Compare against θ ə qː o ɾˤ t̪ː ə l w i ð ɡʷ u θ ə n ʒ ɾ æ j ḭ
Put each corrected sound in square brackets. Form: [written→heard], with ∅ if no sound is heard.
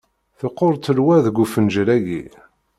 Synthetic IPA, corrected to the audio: θ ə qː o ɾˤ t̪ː ə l w [i→æ] ð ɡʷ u [θ→f] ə n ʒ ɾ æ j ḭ